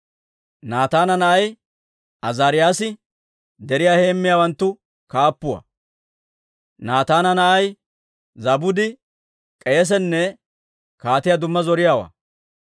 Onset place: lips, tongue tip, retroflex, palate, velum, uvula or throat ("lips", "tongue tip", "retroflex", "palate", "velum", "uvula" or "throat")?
tongue tip